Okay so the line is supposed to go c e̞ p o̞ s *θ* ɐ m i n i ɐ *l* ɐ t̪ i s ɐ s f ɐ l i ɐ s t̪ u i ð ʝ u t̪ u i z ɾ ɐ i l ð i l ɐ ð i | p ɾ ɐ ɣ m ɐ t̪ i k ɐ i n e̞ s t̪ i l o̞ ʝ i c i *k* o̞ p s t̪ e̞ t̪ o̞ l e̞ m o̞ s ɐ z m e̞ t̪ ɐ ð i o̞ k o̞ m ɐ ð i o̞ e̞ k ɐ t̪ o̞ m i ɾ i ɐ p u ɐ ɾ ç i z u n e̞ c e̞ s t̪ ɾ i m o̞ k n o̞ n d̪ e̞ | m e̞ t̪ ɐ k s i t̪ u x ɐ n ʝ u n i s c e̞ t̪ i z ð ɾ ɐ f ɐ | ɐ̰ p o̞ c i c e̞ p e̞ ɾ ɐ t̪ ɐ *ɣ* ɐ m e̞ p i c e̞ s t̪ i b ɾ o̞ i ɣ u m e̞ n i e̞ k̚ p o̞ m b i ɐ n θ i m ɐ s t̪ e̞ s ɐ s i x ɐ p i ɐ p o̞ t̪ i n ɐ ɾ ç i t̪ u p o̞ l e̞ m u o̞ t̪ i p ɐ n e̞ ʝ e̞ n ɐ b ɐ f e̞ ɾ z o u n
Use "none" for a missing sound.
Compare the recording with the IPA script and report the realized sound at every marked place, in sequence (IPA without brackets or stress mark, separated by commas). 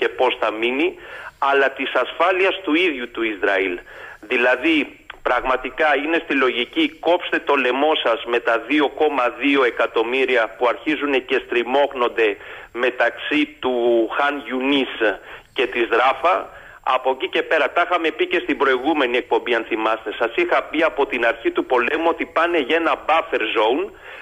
θ, l, k, x